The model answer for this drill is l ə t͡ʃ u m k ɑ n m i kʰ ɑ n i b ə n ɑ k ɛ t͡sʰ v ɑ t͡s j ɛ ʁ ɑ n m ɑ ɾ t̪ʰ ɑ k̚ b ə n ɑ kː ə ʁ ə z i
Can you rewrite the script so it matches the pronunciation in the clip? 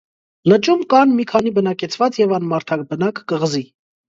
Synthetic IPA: l ə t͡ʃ u m k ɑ n m i kʰ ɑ n i b ə n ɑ k ɛ t͡sʰ v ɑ t͡s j ɛ v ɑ n m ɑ ɾ t̪ʰ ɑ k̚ b ə n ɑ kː ə ʁ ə z i